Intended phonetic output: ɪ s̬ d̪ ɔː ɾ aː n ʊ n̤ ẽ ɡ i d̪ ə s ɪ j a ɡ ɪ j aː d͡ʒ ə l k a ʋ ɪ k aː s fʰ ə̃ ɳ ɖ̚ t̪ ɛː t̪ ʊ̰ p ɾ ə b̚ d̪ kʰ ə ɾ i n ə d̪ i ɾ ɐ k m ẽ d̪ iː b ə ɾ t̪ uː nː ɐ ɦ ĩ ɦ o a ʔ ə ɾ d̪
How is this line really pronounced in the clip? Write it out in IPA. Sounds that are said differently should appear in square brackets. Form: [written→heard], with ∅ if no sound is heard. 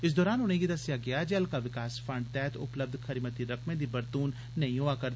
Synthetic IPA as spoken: ɪ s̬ d̪ ɔː ɾ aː n ʊ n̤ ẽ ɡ i d̪ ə s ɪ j a ɡ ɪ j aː d͡ʒ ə l k a ʋ ɪ k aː s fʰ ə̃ ɳ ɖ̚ t̪ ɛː t̪ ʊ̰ p [ɾ→l] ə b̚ d̪ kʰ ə ɾ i [n→m] ə [d̪→t̪] i ɾ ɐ k m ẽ d̪ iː b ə ɾ t̪ uː nː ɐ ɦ ĩ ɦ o a [ʔ→k] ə ɾ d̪